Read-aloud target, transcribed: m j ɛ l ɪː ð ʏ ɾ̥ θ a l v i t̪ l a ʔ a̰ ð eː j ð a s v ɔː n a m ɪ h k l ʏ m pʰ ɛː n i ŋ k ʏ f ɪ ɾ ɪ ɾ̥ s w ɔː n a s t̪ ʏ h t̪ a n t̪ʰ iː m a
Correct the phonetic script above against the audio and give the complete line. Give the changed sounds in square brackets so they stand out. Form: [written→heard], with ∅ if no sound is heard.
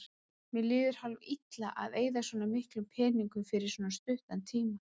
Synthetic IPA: m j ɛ l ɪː ð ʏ ɾ̥ [θ→h] a l v i t̪ l a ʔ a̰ ð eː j ð a s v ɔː n a m ɪ h k l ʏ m pʰ ɛː n i ŋ k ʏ f ɪ ɾ ɪ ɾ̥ s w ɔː n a s t̪ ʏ h t̪ a n t̪ʰ iː m a